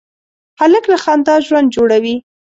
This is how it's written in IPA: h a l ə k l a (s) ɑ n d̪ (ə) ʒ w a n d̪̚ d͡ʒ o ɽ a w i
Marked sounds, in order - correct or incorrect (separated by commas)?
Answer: incorrect, incorrect